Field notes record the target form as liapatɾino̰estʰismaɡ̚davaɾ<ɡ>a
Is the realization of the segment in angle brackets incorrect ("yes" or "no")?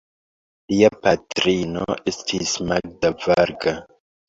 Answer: no